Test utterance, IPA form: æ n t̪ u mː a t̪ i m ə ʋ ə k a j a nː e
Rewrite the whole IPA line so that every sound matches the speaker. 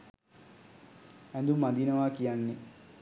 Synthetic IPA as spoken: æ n d̪ u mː a d̪ i n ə ʋ a k i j a nː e